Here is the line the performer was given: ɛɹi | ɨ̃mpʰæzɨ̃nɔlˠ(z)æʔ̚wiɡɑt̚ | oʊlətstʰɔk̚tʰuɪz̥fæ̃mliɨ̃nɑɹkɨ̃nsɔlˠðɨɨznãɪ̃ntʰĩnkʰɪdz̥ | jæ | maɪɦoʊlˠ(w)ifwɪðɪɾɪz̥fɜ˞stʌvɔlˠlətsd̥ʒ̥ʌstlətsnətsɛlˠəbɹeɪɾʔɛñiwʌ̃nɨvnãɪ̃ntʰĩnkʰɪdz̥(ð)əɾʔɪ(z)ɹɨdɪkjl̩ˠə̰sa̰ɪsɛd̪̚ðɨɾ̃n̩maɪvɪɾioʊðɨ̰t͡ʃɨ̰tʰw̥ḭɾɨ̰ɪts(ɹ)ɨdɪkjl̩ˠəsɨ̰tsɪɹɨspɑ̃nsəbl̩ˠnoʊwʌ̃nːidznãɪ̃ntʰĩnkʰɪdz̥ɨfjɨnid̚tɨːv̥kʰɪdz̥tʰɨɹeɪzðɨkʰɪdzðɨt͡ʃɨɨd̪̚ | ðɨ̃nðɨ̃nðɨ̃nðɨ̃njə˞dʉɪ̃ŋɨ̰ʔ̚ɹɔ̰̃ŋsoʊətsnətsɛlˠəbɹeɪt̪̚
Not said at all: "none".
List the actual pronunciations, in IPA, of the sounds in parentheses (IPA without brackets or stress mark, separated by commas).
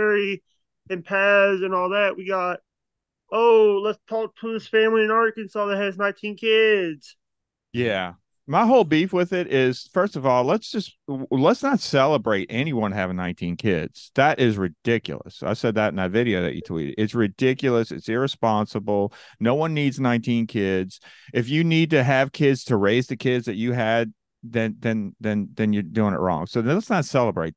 ð, b, ð, z, ɹ